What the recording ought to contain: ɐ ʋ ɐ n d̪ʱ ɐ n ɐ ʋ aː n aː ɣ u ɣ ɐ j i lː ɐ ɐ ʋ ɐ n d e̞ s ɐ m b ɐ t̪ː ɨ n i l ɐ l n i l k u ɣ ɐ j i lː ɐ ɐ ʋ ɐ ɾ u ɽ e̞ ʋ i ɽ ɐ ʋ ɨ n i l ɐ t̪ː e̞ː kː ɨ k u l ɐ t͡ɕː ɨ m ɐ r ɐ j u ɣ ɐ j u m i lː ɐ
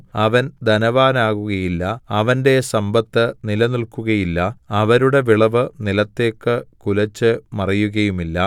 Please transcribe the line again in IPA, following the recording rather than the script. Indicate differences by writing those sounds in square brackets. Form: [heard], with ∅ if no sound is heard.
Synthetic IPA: ɐ ʋ ɐ n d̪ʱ ɐ n ɐ ʋ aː n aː ɣ u ɣ ɐ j i lː ɐ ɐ ʋ ɐ n d e̞ s ɐ m b ɐ t̪ː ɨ n i l ɐ [∅] n i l k u ɣ ɐ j i lː ɐ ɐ ʋ ɐ ɾ u ɽ e̞ ʋ i [ɭ] ɐ ʋ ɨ n i l ɐ t̪ː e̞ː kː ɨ k u l ɐ t͡ɕː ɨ m ɐ r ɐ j u ɣ ɐ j u m i lː ɐ